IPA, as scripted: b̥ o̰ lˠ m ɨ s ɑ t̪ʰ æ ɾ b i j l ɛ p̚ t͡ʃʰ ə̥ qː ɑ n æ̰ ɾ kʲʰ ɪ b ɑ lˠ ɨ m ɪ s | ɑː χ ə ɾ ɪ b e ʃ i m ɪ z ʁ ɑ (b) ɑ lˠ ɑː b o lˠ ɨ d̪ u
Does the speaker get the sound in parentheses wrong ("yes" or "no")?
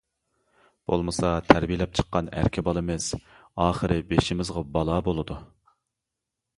no